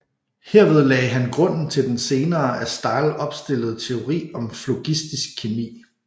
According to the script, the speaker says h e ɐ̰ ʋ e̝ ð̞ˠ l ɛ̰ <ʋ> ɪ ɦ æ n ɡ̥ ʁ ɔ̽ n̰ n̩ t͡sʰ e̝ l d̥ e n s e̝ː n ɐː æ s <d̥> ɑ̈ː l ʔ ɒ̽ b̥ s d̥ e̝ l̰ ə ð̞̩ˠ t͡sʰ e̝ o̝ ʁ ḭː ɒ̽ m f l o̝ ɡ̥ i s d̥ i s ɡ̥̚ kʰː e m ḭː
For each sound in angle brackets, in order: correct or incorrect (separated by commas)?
incorrect, correct